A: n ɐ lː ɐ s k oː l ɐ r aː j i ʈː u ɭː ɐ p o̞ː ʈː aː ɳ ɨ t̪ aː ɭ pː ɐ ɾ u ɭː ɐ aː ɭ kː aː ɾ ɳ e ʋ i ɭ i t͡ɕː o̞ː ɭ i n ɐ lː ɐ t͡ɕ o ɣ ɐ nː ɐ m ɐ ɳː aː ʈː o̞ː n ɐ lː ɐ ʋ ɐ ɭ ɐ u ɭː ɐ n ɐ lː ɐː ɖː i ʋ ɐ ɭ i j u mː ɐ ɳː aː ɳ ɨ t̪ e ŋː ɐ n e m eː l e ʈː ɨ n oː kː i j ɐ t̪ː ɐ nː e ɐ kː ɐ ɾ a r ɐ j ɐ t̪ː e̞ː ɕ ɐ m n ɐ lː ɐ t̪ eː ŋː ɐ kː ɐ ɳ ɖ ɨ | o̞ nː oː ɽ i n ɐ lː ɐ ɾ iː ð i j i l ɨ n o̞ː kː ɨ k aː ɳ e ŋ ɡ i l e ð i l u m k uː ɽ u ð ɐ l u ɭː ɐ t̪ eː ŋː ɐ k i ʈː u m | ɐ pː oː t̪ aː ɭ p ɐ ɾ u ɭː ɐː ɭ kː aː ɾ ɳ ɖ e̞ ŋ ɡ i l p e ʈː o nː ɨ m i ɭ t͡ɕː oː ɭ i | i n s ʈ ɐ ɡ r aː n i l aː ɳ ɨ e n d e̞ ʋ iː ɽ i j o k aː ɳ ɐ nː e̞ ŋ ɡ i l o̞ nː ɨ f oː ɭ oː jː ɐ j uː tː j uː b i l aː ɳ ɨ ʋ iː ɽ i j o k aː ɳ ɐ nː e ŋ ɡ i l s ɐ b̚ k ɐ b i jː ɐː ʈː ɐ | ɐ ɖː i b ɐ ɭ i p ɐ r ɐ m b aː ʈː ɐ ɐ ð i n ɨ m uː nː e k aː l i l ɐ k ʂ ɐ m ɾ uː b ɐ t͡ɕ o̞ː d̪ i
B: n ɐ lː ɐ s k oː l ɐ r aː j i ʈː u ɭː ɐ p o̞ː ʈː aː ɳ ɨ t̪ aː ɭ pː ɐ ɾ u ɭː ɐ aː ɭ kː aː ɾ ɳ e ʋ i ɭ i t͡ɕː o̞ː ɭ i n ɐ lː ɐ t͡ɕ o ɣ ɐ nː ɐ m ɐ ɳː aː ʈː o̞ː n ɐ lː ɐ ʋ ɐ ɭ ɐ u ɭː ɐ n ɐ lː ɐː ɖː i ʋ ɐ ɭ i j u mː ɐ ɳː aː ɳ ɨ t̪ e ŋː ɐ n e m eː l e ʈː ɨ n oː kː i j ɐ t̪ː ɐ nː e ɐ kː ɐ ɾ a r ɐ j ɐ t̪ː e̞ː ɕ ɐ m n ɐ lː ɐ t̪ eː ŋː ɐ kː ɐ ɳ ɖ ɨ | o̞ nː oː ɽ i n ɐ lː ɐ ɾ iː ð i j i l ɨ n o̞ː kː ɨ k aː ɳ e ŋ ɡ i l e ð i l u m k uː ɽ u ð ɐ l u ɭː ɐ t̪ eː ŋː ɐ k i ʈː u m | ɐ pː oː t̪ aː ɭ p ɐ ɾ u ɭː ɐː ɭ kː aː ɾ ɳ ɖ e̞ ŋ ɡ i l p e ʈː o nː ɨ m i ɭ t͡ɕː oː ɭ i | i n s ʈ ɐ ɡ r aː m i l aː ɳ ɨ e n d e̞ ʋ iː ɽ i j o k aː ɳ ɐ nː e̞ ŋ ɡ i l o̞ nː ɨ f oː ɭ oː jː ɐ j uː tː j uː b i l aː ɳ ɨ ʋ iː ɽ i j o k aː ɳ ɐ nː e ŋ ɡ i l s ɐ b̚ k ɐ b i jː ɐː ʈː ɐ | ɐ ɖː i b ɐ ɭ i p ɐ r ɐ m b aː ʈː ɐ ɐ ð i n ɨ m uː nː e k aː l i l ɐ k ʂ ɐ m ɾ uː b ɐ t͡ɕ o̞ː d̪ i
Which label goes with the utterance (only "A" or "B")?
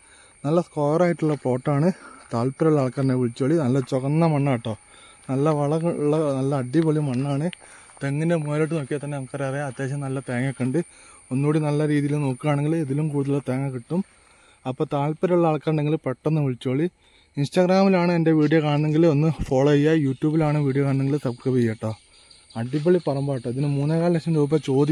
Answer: B